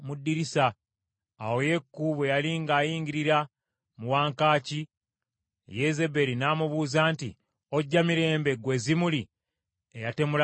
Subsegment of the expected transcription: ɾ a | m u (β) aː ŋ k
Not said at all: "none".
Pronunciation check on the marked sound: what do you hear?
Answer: w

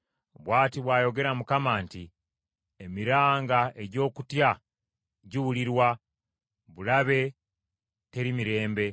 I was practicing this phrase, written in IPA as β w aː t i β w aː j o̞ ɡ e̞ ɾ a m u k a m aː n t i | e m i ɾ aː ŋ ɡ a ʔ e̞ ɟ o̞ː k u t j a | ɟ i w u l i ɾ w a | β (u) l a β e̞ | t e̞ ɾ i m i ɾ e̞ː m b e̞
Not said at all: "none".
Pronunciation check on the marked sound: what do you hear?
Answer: u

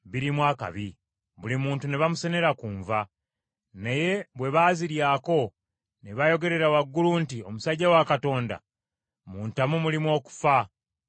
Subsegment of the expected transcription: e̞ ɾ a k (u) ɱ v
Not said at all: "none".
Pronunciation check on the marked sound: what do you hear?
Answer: uː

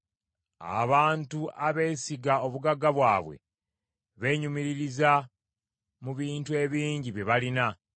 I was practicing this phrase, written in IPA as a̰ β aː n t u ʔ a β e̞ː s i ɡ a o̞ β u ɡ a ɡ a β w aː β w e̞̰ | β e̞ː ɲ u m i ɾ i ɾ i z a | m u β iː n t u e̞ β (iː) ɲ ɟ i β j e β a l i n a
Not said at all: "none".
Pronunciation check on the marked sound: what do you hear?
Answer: iː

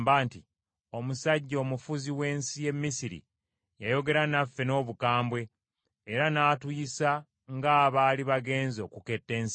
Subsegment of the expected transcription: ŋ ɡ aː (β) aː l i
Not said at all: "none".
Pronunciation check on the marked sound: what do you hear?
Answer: β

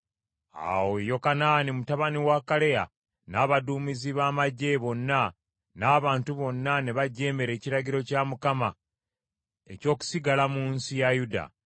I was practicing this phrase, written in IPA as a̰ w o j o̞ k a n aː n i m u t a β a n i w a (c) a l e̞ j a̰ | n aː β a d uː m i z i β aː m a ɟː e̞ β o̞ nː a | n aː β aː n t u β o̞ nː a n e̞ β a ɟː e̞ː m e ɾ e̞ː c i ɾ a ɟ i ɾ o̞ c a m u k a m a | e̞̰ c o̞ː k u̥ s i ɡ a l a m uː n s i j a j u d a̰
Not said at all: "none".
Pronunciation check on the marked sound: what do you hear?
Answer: k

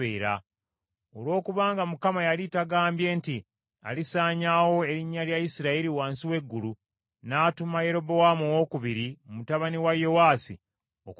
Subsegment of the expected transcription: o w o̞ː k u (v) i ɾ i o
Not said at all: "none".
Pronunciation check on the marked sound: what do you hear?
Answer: β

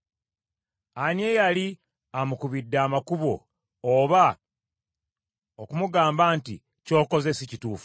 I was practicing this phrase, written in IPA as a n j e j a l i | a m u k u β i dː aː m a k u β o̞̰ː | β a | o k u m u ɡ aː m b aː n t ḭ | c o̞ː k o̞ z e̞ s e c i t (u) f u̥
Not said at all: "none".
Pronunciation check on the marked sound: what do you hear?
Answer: uː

